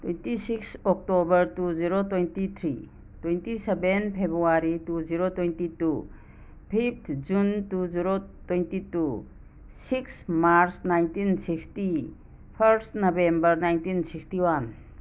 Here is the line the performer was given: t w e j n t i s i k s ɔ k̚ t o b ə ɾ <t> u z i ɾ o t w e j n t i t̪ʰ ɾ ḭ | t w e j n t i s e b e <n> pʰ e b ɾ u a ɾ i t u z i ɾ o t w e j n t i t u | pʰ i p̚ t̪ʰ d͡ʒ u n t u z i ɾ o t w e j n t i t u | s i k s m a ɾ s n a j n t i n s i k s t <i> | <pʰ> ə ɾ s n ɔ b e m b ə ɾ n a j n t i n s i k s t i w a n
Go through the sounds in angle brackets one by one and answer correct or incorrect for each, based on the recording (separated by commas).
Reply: correct, correct, correct, correct